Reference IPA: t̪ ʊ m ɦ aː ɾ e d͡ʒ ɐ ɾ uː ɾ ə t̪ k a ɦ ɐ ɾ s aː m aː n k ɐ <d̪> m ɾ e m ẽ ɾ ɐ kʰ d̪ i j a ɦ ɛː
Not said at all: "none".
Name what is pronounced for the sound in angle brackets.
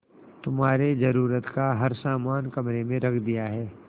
none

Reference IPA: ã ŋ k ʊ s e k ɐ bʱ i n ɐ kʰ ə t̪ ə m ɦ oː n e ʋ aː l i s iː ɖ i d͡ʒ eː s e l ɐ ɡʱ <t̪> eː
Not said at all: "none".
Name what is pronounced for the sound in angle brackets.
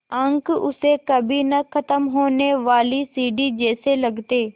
t̪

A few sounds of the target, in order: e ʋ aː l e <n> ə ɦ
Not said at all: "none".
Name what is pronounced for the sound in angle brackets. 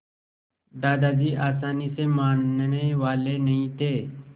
n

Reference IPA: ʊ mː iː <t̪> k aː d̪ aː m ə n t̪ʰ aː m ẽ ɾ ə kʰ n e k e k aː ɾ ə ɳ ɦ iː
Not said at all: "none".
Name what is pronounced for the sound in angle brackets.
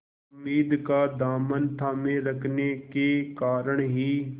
d̪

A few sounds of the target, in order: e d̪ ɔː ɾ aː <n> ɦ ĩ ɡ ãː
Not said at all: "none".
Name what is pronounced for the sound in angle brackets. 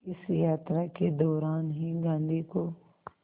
n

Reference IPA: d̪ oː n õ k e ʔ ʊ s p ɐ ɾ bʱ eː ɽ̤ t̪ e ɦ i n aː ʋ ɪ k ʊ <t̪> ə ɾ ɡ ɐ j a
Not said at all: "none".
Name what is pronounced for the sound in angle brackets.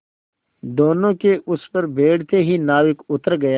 t̪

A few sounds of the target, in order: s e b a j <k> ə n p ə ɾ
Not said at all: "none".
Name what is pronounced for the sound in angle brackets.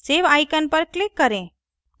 k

